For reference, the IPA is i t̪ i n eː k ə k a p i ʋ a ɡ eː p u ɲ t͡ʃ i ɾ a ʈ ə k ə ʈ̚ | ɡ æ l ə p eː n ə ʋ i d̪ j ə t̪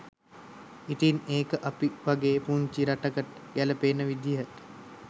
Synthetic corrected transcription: i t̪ i n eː k ə ʔ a p i ʋ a ɡ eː p u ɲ t͡ʃ i ɾ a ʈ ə k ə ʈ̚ | ɡ æ l ə p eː n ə ʋ i d̪ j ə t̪